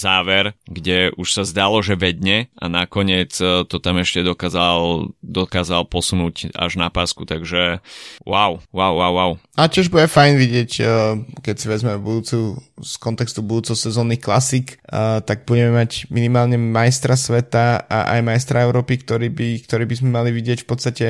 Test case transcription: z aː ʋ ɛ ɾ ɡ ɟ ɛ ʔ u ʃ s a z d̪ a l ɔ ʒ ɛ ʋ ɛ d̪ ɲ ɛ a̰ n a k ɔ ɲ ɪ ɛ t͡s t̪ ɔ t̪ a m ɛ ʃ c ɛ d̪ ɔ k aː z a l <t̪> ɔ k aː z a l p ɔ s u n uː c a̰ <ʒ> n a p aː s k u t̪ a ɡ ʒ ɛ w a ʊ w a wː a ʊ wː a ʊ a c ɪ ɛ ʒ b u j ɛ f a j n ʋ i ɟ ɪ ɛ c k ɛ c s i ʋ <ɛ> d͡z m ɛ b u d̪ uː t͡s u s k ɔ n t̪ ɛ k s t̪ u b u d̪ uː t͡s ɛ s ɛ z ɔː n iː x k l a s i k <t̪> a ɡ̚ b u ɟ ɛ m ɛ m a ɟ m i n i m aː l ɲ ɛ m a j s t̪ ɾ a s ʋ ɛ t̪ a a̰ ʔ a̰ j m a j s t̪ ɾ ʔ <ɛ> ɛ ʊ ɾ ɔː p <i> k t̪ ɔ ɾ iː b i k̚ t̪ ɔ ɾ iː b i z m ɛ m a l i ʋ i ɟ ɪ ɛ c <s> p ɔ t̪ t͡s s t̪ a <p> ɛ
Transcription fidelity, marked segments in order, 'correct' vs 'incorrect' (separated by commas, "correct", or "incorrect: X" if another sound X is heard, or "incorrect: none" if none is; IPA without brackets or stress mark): incorrect: d̪, correct, correct, correct, incorrect: a, correct, incorrect: f, incorrect: c